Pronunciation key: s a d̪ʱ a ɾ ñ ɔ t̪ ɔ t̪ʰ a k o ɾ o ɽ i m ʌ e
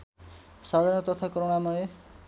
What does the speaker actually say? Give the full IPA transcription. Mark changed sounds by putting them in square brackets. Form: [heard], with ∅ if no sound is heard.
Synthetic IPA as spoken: s a d̪ʱ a ɾ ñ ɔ t̪ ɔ t̪ʰ a k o ɾ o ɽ [a] m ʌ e